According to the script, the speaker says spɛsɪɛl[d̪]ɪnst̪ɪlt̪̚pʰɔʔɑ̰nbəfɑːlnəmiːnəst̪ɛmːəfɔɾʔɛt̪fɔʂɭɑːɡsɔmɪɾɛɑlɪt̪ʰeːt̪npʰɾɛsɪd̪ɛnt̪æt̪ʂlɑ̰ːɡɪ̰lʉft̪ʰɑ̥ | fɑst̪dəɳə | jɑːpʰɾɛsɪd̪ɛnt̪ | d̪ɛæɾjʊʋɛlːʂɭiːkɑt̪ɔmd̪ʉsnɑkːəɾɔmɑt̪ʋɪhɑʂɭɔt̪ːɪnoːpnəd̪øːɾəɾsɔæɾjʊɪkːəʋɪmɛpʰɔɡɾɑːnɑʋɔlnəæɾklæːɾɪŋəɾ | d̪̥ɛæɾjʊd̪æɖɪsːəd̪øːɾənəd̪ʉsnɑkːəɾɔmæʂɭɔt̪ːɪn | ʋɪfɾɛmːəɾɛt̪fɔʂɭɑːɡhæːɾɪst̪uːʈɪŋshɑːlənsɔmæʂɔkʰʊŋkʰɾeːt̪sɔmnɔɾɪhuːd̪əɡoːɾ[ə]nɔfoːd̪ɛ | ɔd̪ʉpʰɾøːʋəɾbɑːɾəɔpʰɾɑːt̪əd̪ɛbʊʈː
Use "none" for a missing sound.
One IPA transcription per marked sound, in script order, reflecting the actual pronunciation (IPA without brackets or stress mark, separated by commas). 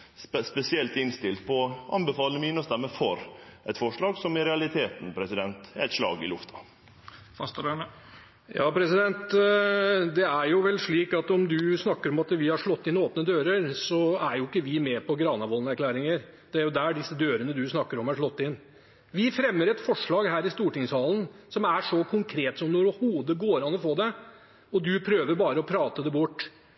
t̪, ɑ